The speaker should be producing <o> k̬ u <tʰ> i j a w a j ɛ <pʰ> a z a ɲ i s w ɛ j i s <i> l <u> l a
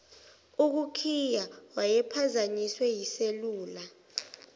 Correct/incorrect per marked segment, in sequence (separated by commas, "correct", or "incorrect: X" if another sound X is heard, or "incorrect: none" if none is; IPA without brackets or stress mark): incorrect: u, incorrect: kʰ, correct, incorrect: e, incorrect: uː